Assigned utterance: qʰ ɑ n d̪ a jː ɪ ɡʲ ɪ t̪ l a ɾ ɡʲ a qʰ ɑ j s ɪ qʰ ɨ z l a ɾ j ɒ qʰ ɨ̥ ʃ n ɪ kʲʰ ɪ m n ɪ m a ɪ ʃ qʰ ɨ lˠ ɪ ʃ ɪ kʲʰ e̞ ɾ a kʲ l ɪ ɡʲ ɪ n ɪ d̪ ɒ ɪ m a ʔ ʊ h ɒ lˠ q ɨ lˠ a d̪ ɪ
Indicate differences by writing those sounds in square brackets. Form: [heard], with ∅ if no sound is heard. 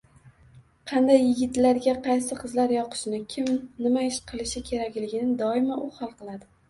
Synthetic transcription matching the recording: qʰ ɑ n d̪ a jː ɪ ɡʲ ɪ t̪ l a ɾ ɡʲ a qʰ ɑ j s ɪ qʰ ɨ z l a ɾ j ɒ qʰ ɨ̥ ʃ n ɪ kʲʰ ɪ m n ɪ m a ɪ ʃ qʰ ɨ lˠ ɪ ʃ ɪ kʲʰ e̞ ɾ a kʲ l ɪ ɡʲ ɪ n ɪ d̪ ɒ ɪ m a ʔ ʊ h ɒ lˠ q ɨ lˠ a d̪ ɪ